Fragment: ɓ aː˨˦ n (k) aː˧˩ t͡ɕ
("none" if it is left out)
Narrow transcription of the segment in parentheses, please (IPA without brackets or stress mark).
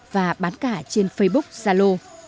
k